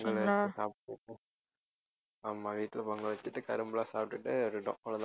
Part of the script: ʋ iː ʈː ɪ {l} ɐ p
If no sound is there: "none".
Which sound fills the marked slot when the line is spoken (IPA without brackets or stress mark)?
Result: l